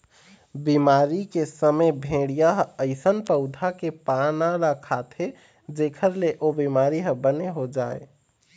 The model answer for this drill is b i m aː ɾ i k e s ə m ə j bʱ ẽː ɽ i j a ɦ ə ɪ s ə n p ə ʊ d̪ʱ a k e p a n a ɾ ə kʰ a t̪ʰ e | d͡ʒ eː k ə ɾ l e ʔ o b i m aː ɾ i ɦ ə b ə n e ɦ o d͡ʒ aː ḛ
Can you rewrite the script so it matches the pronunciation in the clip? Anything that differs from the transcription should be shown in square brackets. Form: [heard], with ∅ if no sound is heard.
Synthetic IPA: b i m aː ɾ i k e s ə m ə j bʱ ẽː ɽ i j a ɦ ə ɪ s ə n p ə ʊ d̪ʱ a k e p a n a ɾ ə kʰ a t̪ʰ e | d͡ʒ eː [kʰ] ə ɾ l e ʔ o b i m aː ɾ i ɦ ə b ə n e ɦ o d͡ʒ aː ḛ

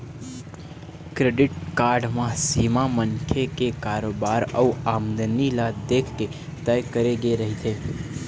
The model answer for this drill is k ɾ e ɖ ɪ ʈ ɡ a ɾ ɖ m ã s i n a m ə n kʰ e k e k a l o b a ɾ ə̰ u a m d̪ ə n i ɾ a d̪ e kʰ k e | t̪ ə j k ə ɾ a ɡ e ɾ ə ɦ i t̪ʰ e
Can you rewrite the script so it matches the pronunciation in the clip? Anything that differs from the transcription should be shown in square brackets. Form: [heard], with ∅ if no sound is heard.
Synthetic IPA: k ɾ e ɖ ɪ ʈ [k] a ɾ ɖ m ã s i [m] a m ə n kʰ e k e k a [ɾ] o b a ɾ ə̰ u a m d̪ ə n i [l] a d̪ e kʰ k e | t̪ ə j k ə ɾ [e] ɡ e ɾ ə ɦ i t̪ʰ e

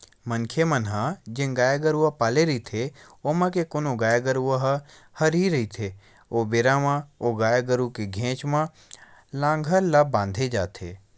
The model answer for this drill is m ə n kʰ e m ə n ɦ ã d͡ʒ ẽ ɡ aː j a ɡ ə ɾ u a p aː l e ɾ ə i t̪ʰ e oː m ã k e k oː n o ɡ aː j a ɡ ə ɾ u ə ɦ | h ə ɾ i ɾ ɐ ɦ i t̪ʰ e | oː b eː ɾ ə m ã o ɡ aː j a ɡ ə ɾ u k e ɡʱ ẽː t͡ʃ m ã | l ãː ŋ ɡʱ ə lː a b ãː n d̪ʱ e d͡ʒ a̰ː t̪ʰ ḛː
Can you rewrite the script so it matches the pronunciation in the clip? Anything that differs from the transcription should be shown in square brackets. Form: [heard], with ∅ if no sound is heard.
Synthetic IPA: m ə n kʰ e m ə n ɦ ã d͡ʒ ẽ ɡ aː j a ɡ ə ɾ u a p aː l e ɾ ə i t̪ʰ e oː m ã k e k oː n o ɡ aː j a ɡ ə ɾ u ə ɦ | h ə ɾ i ɾ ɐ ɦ i t̪ʰ e | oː b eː ɾ [a] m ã o ɡ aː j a ɡ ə ɾ u k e ɡʱ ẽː t͡ʃ m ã | l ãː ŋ ɡʱ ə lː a b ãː n d̪ʱ e d͡ʒ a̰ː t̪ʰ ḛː

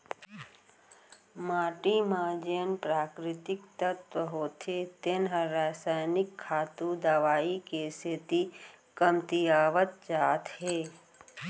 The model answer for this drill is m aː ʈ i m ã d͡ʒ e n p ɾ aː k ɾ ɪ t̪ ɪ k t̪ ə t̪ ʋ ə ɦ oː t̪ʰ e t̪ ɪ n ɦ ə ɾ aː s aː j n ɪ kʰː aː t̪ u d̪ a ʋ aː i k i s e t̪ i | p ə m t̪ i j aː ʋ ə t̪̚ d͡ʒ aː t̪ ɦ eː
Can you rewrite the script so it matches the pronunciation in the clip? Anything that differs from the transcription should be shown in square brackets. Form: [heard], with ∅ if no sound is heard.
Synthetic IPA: m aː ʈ i m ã d͡ʒ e n p ɾ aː k ɾ ɪ t̪ ɪ k t̪ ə t̪ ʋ ə ɦ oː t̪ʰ e t̪ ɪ n ɦ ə ɾ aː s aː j n ɪ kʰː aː t̪ u d̪ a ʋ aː i k [e] s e t̪ i | [k] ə m t̪ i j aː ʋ ə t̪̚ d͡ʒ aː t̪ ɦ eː

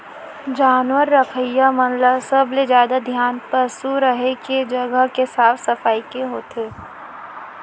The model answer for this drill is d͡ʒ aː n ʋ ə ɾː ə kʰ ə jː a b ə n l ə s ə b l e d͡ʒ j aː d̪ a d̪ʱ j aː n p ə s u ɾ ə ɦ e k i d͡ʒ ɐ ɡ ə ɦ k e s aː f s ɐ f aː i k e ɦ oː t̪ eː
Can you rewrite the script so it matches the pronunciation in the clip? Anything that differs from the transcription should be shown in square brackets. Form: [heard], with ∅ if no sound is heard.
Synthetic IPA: d͡ʒ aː n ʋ ə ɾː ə kʰ ə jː a [m] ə n l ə s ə b l e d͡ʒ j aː d̪ a d̪ʱ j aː n p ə s u ɾ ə ɦ e k [e] d͡ʒ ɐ ɡ ə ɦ k e s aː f s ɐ f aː i k e ɦ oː t̪ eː

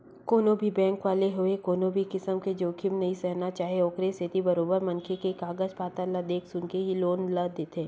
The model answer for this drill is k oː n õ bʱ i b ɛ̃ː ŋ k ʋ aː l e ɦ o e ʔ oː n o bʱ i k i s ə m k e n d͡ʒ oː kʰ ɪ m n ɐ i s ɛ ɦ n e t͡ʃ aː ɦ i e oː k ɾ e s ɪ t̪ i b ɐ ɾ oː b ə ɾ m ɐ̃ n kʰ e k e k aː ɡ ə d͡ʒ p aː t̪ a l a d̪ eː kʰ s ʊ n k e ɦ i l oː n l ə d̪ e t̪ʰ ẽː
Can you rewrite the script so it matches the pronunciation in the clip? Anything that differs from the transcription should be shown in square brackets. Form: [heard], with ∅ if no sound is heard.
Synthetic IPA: k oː n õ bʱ i b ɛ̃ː ŋ k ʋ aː l e ɦ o e [k] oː n o bʱ i k [ɪ] s ə m k e [∅] d͡ʒ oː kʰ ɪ m n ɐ i s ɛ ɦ n [a] t͡ʃ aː ɦ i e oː k ɾ e s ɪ t̪ i b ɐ ɾ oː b ə ɾ m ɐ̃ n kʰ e k e k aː ɡ ə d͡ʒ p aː t̪ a l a d̪ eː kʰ s ʊ n k e ɦ i l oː n l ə d̪ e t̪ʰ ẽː

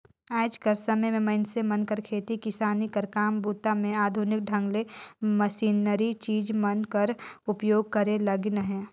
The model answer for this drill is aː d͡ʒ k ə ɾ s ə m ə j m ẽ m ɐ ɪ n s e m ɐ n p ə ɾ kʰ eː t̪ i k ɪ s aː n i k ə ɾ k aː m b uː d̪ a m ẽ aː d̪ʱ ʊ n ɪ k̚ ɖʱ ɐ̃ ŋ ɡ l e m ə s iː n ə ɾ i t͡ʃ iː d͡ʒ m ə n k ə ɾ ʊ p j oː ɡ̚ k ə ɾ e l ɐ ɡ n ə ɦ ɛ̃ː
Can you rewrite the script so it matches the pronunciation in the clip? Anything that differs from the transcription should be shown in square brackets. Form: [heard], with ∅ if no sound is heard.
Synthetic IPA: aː d͡ʒ k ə ɾ s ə m ə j m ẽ m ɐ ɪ n s e m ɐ n [k] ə ɾ kʰ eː t̪ i k ɪ s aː n i k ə ɾ k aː m b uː [t̪] a m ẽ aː d̪ʱ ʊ n ɪ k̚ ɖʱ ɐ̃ ŋ ɡ l e m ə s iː n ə ɾ i t͡ʃ iː d͡ʒ m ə n k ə ɾ ʊ p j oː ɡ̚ k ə ɾ e l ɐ ɡ n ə ɦ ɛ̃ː

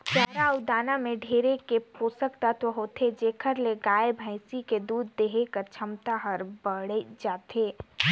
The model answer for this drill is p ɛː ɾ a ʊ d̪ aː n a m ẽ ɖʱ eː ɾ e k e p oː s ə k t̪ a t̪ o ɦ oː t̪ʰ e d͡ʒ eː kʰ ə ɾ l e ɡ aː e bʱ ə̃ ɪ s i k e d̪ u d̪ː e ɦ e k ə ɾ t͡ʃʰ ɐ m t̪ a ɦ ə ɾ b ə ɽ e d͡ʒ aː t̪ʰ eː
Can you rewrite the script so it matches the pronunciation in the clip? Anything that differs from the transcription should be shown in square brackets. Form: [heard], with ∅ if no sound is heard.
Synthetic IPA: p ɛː ɾ a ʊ d̪ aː n a m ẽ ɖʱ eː ɾ e k e p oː s ə k t̪ a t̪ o ɦ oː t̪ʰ e d͡ʒ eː kʰ ə ɾ l e ɡ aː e bʱ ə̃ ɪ s i k e d̪ [uː] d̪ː e ɦ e k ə ɾ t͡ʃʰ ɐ m t̪ a ɦ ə ɾ b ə ɽ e d͡ʒ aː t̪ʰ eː

